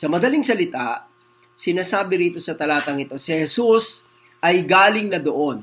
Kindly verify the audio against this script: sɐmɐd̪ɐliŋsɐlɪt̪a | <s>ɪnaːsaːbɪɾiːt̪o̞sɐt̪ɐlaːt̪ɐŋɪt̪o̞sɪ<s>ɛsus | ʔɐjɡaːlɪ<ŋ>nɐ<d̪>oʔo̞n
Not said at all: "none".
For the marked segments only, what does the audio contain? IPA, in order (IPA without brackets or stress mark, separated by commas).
s, h, ŋ, d̪